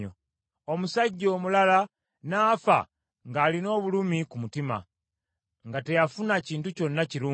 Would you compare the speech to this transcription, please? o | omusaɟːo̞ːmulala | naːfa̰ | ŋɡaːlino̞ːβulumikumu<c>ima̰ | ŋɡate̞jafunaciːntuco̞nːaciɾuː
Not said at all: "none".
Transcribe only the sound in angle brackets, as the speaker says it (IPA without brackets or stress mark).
t